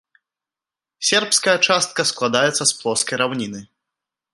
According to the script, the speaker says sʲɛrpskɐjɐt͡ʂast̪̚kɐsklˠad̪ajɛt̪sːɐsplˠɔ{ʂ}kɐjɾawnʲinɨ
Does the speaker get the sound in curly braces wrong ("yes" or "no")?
yes